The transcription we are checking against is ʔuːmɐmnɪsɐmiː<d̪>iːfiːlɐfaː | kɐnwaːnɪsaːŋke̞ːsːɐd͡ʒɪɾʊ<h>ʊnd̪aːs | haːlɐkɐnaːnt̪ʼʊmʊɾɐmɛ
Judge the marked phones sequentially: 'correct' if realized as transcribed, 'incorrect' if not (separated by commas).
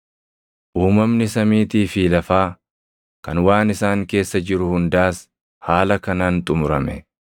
incorrect, correct